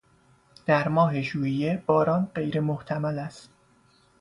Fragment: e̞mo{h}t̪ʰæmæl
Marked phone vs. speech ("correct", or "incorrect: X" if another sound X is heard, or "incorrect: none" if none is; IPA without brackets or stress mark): correct